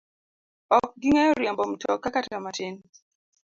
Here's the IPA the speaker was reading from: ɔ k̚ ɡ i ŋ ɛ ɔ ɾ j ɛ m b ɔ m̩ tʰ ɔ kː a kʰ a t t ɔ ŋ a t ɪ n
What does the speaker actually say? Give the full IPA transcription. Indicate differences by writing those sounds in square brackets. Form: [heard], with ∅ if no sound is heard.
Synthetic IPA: ɔ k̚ ɡ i ŋ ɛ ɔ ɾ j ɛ m b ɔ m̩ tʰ ɔ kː a [k] a t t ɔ [m] a t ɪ n